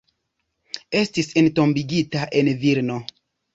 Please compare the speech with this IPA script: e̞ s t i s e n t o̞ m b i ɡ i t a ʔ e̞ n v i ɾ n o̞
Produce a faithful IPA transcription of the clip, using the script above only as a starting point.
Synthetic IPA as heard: e̞ s t i s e n t o̞ m b i ɡ i t a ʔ e̞ n v i ɾ n o̞